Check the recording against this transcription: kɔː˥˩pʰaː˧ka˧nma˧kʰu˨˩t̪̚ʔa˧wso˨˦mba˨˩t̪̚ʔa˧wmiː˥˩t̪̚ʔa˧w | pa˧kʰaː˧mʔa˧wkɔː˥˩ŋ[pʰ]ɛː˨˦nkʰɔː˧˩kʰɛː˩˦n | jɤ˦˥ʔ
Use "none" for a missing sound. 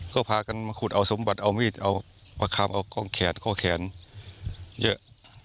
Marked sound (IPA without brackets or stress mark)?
kʰ